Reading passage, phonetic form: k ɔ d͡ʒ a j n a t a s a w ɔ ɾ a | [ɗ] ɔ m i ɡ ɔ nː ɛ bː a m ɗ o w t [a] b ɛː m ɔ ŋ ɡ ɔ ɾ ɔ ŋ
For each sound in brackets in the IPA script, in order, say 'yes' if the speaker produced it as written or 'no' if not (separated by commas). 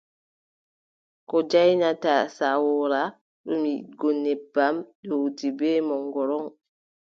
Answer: yes, no